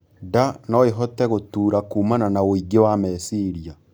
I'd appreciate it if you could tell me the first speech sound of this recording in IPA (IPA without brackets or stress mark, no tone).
d